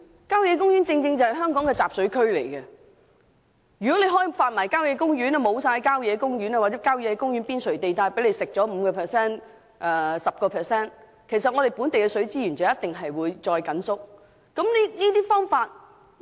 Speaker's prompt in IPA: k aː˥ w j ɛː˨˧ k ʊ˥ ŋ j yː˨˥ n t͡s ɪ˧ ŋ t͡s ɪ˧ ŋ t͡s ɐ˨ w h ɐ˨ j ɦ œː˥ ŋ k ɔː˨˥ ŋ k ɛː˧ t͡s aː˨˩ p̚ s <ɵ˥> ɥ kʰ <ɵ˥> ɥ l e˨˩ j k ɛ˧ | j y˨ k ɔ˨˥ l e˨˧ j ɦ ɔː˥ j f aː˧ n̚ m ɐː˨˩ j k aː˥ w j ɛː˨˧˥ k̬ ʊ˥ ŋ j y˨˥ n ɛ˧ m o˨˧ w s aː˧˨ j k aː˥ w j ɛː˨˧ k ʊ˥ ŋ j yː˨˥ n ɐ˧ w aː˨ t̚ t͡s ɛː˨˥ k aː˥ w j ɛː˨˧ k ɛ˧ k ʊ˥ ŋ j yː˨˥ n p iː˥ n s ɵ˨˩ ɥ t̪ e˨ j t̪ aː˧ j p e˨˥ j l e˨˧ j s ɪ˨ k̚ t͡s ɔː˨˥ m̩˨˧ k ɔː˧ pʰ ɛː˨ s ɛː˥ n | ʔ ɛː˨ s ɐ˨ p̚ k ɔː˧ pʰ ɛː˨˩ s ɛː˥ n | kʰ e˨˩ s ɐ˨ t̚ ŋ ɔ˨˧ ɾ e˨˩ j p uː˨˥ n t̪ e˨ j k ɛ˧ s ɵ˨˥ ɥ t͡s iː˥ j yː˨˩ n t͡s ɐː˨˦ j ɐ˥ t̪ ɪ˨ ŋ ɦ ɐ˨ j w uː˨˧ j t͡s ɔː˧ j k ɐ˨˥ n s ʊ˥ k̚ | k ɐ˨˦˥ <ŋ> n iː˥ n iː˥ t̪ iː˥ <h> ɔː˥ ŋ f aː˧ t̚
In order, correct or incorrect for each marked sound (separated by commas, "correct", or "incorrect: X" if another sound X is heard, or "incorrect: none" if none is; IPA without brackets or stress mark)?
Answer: incorrect: ɵ˨˥, correct, incorrect: m, incorrect: f